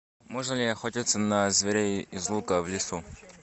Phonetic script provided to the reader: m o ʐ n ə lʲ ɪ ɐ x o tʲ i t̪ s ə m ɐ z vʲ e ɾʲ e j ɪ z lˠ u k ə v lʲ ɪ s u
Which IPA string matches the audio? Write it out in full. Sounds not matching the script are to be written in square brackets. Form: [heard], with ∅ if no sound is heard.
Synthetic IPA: m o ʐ n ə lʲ ɪ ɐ x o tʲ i t̪ s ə [n] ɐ z vʲ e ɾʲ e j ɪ z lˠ u k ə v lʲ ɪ s u